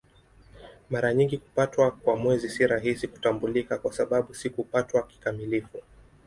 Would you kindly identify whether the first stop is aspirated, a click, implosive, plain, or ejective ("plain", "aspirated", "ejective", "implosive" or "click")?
plain